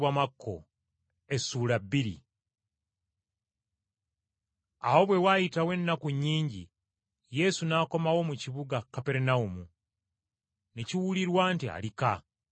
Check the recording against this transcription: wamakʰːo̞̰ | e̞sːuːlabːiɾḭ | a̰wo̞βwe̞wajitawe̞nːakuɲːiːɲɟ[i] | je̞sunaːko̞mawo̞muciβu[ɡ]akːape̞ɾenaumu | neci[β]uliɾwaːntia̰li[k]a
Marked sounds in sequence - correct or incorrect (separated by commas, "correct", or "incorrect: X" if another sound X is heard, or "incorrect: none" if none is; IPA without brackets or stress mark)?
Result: correct, correct, incorrect: w, correct